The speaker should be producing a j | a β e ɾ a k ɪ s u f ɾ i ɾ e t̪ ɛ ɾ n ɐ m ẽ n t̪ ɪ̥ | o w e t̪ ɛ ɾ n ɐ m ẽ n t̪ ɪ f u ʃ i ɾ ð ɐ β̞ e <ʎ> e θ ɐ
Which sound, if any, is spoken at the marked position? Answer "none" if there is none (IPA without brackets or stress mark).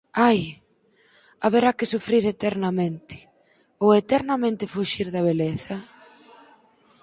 l